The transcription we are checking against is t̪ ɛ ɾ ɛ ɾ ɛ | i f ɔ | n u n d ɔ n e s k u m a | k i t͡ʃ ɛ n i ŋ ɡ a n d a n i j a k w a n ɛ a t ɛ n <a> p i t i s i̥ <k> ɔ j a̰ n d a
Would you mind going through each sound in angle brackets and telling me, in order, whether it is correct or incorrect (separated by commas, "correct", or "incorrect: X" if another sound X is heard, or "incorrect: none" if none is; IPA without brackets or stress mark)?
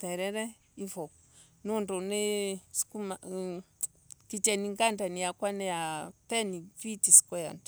incorrect: i, correct